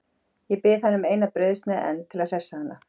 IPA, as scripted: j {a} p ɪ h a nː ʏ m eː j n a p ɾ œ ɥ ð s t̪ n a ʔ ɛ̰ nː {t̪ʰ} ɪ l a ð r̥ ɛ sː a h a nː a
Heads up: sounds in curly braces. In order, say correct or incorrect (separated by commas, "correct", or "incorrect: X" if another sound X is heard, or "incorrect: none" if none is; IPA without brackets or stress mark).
incorrect: ɛ, correct